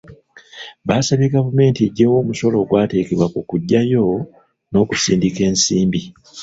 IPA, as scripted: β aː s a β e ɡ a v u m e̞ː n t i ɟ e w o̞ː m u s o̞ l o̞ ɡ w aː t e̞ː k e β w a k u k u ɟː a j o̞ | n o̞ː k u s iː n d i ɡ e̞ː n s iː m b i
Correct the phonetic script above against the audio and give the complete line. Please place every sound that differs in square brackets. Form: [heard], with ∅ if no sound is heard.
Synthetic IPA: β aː s a β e ɡ a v u m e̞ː n t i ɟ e w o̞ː m u s o̞ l o̞ ɡ w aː t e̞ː k e β w a k u k u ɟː a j o̞ | n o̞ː k u s iː n d i [k] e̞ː n s iː m b i